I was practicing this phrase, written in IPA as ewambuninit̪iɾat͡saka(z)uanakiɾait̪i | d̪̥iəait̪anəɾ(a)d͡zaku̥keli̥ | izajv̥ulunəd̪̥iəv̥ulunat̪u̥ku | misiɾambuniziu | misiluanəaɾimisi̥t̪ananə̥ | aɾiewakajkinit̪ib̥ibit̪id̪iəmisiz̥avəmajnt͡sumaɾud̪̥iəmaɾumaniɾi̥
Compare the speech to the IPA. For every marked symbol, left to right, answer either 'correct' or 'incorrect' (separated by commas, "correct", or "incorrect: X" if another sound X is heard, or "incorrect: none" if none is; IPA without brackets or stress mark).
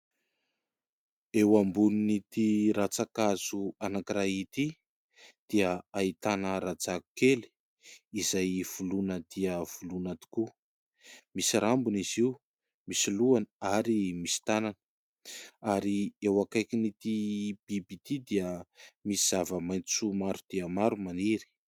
correct, correct